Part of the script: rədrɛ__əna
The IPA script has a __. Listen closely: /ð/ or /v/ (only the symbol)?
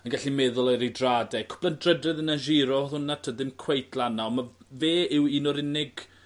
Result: ð